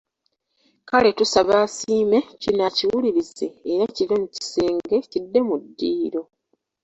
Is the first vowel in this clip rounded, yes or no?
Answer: no